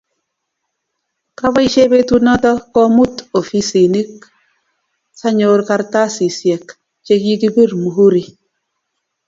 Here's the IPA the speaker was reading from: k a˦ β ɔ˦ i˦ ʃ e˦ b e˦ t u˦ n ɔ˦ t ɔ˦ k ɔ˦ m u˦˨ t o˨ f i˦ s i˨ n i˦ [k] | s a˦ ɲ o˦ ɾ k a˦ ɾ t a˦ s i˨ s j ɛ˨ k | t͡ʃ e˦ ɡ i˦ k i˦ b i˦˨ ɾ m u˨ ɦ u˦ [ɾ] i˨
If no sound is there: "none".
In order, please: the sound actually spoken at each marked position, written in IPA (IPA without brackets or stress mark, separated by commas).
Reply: k, ɾ